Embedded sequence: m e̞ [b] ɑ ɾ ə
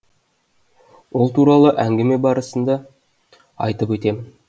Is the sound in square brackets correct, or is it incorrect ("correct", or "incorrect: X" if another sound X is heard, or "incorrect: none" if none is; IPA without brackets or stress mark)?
correct